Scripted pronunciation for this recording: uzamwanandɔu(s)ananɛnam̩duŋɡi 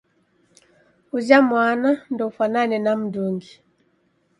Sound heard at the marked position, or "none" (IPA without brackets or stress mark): f